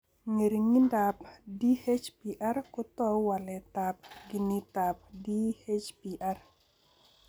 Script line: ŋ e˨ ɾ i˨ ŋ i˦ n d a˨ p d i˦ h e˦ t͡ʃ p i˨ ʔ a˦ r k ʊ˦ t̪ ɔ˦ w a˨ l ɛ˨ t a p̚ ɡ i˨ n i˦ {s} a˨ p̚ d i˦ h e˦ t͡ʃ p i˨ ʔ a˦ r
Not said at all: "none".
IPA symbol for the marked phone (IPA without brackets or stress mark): t